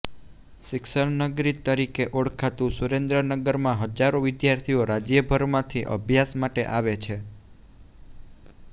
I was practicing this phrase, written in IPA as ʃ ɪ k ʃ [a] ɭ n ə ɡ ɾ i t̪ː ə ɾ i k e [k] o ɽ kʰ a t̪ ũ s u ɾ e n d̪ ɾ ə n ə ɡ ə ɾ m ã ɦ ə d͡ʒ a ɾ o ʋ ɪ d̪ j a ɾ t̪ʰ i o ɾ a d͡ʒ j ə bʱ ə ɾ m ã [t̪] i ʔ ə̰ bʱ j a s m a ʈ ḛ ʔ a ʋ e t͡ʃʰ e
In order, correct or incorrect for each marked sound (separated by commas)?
incorrect, incorrect, incorrect